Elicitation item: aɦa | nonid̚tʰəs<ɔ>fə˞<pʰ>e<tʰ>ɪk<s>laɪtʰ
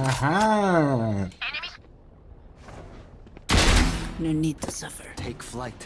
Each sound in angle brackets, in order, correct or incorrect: incorrect: ʌ, incorrect: tʰ, incorrect: none, incorrect: f

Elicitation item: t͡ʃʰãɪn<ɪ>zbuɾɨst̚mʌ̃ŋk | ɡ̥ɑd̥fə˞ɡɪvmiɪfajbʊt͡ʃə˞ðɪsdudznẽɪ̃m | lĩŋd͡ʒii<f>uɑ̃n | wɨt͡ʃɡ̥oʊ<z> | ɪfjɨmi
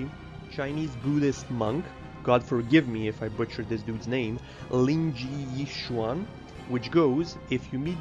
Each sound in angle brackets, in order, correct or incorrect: incorrect: i, incorrect: ʃ, correct

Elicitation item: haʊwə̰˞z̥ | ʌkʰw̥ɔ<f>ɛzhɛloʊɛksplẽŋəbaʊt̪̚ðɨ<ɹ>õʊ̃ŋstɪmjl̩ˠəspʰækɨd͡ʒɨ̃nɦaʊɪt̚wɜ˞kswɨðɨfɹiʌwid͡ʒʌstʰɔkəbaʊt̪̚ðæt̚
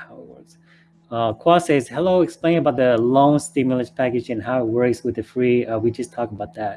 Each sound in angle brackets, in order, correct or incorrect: incorrect: s, incorrect: l

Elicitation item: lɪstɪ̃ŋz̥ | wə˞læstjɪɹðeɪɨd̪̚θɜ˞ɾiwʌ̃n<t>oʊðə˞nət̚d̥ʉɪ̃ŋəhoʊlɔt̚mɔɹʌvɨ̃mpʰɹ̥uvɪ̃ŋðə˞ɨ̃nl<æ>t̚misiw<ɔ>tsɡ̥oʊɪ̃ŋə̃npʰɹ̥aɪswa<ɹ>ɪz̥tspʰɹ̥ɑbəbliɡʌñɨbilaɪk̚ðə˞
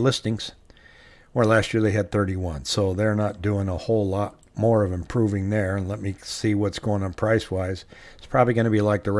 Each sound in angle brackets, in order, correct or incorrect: incorrect: s, incorrect: ɛ, incorrect: ʌ, incorrect: none

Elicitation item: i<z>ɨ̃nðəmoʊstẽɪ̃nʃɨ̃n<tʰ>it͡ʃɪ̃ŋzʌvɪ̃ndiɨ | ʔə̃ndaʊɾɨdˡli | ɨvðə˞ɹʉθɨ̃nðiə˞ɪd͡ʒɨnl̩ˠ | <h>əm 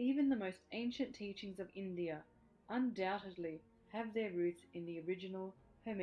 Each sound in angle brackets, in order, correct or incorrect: incorrect: v, correct, correct

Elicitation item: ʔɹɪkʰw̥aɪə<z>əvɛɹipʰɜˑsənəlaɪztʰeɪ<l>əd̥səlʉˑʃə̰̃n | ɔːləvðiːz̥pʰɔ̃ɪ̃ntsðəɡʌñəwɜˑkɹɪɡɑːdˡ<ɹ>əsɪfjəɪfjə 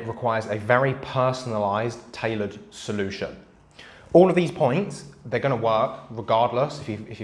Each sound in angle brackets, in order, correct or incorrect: correct, correct, incorrect: l

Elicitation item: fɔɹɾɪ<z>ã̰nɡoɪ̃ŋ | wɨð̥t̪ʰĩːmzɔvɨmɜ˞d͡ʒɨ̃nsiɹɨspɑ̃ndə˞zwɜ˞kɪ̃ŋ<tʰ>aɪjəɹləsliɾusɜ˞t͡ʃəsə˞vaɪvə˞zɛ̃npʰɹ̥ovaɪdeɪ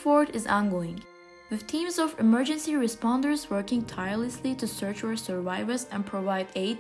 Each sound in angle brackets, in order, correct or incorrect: correct, correct

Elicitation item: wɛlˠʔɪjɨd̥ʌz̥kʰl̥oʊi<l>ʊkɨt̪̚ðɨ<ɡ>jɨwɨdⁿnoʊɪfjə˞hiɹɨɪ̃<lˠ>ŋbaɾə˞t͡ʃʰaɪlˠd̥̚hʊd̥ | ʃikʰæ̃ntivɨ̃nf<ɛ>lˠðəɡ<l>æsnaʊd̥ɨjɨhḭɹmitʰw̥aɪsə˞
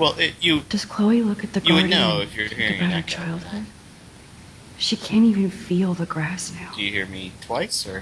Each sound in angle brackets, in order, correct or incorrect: correct, correct, incorrect: none, incorrect: i, incorrect: ɹ

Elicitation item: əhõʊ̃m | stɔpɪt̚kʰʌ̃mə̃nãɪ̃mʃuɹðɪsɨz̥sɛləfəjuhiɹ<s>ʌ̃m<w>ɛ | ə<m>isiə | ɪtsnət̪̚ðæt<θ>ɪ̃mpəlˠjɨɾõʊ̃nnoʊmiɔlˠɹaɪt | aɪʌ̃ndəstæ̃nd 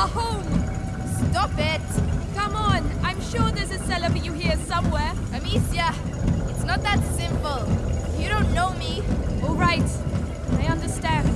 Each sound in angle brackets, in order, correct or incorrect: correct, correct, correct, incorrect: s

